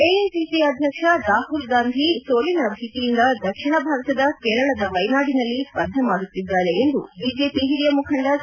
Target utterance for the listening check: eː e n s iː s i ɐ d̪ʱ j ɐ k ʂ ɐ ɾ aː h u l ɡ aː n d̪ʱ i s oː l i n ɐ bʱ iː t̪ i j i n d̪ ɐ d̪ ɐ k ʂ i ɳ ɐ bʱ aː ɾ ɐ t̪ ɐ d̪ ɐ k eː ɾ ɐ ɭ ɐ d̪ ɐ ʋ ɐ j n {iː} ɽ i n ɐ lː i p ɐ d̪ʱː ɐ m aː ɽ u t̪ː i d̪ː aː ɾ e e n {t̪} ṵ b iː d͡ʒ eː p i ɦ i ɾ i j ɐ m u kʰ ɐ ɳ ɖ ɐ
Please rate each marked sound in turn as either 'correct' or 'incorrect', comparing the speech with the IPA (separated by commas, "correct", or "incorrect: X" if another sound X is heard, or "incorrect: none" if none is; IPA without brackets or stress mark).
incorrect: aː, incorrect: d̪